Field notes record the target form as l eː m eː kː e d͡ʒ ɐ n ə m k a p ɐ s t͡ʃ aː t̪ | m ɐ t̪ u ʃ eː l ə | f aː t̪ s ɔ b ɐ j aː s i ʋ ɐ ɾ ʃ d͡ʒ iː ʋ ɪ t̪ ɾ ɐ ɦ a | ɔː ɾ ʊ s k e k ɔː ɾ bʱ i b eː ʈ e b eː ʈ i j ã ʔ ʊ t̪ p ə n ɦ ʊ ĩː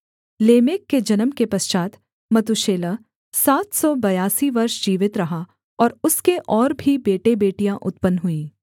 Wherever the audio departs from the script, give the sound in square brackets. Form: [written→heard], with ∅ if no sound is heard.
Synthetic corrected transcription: l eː m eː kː e d͡ʒ ɐ n ə m k [a→e] p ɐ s t͡ʃ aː t̪ | m ɐ t̪ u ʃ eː l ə | [f→s] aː t̪ s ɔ b ɐ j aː s i ʋ ɐ ɾ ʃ d͡ʒ iː ʋ ɪ t̪ ɾ ɐ ɦ a | ɔː ɾ ʊ s k e [k→ʔ] ɔː ɾ bʱ i b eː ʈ e b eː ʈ i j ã ʔ ʊ t̪ p ə n ɦ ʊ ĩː